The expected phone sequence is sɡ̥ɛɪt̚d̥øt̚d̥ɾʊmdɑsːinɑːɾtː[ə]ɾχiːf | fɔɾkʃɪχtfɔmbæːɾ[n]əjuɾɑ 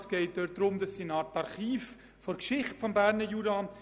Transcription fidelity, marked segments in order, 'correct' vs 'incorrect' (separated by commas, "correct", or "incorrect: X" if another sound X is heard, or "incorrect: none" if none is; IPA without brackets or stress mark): incorrect: ɑ, correct